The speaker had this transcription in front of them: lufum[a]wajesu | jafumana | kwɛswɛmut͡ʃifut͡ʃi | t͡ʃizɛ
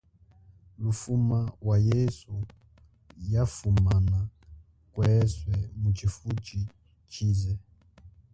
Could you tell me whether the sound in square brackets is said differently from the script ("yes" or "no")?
no